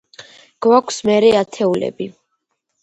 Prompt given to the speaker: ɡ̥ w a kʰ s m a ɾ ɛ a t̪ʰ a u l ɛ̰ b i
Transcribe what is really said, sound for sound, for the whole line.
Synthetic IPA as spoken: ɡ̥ w a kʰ s m ɛ ɾ ɛ a t̪ʰ ɛ u l ɛ̰ b i